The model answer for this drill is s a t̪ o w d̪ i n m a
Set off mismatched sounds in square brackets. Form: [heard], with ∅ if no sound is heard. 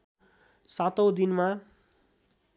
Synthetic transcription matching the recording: s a t̪ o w d̪ i n m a